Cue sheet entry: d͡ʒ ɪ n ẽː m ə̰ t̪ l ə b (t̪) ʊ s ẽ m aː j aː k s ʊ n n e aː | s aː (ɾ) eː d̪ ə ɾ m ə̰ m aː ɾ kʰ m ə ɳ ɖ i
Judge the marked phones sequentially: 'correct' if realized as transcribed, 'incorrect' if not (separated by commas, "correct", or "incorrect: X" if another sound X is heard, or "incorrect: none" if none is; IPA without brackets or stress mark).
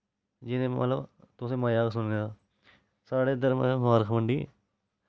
correct, incorrect: ɽ